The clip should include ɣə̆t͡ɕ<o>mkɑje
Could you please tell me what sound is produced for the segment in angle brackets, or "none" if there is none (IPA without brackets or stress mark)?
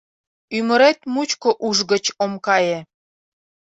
o